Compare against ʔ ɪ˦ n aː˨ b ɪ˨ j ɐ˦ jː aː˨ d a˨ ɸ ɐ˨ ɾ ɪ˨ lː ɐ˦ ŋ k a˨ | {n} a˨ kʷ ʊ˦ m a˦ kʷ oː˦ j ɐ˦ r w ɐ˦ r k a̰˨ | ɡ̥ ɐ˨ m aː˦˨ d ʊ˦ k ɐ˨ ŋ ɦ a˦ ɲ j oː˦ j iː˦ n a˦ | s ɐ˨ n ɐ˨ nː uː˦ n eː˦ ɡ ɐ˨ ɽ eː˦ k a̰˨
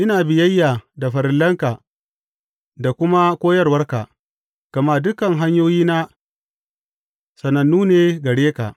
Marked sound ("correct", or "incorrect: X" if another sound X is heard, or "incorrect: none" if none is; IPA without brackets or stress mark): incorrect: d